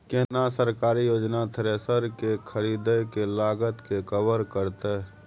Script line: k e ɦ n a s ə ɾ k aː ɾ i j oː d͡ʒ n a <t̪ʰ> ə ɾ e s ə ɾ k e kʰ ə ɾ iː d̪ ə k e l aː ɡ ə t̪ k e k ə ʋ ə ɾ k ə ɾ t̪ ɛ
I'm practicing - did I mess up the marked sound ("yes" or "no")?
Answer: no